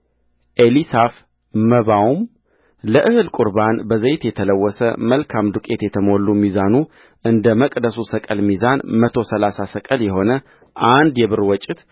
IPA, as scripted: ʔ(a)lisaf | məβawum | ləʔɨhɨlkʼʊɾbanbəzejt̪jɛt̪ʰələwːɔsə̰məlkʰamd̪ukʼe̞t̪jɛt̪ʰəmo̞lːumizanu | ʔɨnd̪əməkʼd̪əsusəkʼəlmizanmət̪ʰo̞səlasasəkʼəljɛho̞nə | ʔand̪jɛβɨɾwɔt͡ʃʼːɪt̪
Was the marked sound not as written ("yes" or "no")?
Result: yes